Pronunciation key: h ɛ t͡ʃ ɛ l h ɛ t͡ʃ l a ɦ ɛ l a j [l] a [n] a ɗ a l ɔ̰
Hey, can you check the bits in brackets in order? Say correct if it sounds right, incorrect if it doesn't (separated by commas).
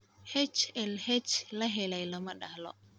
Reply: correct, incorrect